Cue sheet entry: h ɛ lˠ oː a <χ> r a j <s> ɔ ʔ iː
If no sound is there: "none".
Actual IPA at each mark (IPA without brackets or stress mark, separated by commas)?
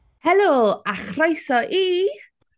χ, s